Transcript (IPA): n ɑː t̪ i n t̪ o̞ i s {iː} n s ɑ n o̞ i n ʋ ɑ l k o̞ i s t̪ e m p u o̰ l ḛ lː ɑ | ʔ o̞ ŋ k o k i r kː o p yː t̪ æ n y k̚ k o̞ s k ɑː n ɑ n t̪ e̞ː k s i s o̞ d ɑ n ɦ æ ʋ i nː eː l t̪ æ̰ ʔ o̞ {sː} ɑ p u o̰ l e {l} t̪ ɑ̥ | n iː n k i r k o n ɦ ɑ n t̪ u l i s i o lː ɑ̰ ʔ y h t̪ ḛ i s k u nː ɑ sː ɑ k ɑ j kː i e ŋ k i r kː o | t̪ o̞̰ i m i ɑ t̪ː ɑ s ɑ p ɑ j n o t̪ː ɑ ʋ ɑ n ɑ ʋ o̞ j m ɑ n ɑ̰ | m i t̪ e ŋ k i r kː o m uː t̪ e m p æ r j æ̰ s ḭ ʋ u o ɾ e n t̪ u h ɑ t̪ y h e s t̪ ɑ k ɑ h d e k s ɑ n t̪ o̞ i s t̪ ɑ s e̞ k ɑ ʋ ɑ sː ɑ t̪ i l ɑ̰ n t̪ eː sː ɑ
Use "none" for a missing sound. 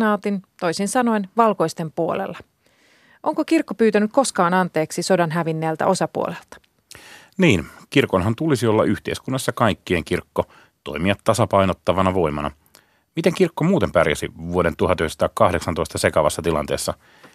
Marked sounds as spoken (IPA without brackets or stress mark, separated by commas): i, s, l